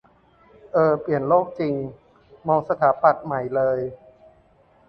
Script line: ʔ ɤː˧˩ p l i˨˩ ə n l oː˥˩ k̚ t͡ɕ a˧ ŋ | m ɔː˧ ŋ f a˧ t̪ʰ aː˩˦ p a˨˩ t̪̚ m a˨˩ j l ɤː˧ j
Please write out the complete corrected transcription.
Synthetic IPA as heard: ʔ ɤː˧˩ p l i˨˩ ə n l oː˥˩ k̚ t͡ɕ i˧ ŋ | m ɔː˧ ŋ s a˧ t̪ʰ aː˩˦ p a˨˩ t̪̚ m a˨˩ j l ɤː˧ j